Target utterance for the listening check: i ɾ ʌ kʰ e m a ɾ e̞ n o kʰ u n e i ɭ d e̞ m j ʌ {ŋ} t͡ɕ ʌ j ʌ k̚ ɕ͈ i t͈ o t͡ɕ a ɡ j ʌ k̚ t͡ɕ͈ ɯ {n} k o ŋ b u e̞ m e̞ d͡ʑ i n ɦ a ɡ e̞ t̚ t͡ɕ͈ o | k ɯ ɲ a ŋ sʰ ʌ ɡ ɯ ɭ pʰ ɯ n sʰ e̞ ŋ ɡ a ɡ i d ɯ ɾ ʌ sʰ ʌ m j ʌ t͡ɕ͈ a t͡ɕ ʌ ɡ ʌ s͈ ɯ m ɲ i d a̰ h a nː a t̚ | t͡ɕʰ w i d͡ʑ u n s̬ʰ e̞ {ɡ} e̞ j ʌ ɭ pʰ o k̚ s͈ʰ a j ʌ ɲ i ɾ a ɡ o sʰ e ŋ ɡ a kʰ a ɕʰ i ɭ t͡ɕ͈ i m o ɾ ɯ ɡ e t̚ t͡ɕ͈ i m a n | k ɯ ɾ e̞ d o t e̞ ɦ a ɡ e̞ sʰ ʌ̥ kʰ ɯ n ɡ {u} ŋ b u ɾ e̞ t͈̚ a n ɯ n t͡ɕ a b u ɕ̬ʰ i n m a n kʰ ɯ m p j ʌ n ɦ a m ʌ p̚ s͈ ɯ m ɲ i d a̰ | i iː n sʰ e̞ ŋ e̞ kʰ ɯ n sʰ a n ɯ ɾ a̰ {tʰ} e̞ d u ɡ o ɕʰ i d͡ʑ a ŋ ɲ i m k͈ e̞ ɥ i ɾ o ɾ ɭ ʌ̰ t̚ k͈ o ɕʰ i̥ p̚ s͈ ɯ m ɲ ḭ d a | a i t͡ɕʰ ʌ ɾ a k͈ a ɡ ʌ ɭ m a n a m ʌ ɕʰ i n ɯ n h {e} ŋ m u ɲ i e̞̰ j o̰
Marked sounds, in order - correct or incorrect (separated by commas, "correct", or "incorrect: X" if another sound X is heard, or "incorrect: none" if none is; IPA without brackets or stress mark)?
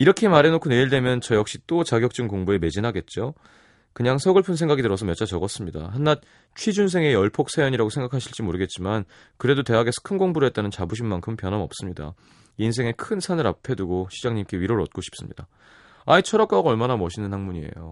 incorrect: n, incorrect: ŋ, incorrect: ŋ, incorrect: o, incorrect: pʰ, incorrect: a